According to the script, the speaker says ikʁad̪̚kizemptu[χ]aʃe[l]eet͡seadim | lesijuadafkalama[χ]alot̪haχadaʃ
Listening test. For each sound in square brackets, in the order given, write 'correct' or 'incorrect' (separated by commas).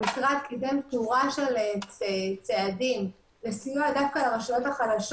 incorrect, correct, incorrect